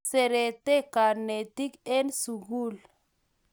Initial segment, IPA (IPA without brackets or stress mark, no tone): s